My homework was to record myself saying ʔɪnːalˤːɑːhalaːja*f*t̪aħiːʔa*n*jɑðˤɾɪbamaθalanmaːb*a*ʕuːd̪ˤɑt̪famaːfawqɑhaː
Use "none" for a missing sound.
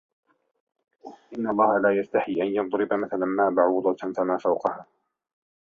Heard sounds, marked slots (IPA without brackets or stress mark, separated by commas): s, n, a